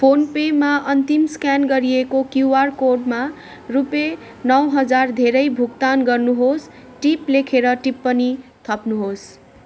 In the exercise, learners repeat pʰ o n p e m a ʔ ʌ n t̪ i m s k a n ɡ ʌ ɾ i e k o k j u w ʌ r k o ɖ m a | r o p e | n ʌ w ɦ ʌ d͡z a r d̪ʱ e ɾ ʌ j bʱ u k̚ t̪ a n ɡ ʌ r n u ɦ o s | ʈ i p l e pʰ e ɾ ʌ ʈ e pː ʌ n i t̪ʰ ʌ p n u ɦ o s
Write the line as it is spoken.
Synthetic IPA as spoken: pʰ o n p e m a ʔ ʌ n t̪ i m s k a n ɡ ʌ ɾ i e k o k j u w a r k o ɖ m a | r u p e | n ʌ w ɦ ʌ d͡z a r d̪ʱ e ɾ ʌ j bʱ u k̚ t̪ a n ɡ ʌ r n u ɦ o s | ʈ i p l e kʰ e ɾ ʌ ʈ i pː ʌ n i t̪ʰ ʌ p n u ɦ o s